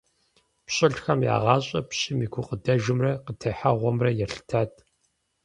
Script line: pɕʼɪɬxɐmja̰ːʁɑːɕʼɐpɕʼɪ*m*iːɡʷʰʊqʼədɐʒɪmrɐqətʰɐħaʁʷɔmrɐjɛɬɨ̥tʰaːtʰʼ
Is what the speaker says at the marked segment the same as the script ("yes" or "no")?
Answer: yes